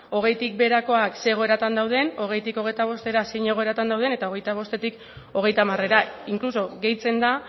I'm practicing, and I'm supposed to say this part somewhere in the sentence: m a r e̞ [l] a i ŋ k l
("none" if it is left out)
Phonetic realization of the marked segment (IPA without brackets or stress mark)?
ɾ